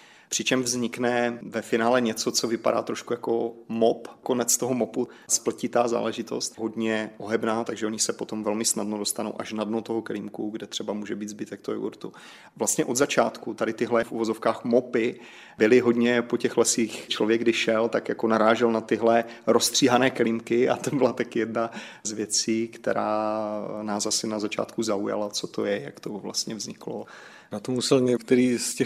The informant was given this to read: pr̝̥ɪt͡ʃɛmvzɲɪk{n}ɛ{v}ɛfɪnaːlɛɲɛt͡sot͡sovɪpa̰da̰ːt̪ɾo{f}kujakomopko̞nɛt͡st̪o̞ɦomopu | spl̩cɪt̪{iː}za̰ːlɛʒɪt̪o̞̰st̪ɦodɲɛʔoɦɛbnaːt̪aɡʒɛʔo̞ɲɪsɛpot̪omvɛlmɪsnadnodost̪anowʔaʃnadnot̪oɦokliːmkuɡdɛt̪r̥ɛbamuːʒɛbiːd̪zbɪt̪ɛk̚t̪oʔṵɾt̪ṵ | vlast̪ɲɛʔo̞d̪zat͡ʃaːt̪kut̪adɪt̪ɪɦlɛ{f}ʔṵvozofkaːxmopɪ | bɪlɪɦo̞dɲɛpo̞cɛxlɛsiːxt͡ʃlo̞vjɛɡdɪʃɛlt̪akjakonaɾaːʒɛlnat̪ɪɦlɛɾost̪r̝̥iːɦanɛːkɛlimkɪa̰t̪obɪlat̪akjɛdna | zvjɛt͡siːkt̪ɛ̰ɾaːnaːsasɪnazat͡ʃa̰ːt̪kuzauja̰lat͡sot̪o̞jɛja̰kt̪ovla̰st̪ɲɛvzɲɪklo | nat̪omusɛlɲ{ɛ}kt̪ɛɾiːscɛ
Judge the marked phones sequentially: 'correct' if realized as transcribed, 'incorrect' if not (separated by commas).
correct, correct, incorrect, incorrect, correct, correct